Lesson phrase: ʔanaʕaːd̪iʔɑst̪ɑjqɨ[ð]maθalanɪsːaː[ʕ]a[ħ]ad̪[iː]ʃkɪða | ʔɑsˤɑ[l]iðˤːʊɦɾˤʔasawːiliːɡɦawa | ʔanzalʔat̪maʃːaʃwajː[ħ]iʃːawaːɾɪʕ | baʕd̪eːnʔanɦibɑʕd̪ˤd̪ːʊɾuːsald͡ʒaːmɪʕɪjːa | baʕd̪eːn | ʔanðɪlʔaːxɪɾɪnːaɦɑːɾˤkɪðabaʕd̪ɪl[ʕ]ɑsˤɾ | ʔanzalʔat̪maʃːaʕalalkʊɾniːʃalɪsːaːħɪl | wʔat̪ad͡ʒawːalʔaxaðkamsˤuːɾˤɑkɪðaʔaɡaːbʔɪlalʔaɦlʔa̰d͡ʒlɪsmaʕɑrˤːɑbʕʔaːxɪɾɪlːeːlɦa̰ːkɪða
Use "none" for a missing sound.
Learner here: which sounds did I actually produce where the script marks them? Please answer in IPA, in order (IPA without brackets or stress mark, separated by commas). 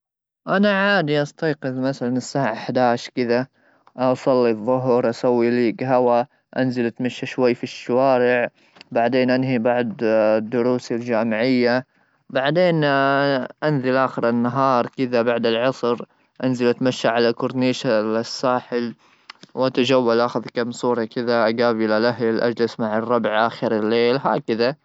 ð, ʕ, ħ, aː, lː, f, ʕ